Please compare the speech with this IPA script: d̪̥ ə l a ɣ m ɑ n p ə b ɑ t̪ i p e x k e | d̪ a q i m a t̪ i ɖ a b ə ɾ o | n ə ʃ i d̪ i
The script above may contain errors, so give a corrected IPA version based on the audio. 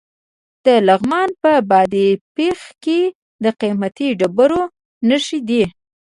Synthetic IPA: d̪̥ ə l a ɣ m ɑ n p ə b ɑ d̪ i p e x k e | d̪ ə q i m a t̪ i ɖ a b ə ɾ o | n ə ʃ i d̪ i